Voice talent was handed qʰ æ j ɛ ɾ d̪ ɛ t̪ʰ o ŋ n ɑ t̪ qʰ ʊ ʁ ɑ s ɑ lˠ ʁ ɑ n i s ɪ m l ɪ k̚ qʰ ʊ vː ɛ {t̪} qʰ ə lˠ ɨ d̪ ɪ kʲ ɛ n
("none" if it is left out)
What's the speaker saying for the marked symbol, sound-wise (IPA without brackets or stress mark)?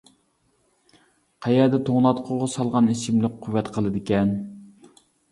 t̪